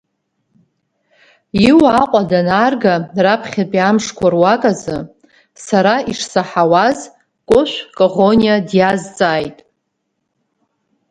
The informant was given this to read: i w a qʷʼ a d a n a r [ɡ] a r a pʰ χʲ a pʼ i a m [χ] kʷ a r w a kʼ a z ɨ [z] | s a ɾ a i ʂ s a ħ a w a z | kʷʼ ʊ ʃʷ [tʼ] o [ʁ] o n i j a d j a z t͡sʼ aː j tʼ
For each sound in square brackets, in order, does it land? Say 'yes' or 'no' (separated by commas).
yes, no, no, no, yes